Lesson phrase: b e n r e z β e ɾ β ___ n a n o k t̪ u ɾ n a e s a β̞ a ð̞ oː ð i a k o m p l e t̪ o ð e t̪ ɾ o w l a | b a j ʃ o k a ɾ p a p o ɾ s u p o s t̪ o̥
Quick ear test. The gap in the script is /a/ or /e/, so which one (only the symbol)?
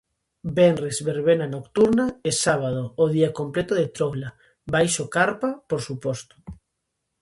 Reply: e